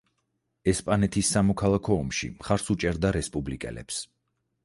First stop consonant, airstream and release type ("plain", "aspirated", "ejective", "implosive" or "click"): ejective